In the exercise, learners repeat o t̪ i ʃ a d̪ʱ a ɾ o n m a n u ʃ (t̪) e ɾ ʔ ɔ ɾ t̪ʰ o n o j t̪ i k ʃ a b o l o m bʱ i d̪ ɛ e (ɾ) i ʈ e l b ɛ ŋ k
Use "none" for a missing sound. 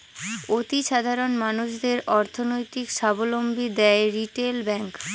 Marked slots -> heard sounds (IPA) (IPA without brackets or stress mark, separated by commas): d̪, ɾ